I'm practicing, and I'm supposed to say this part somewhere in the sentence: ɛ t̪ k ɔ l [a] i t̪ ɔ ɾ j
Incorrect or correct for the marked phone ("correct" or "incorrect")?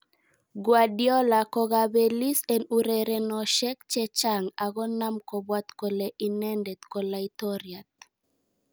correct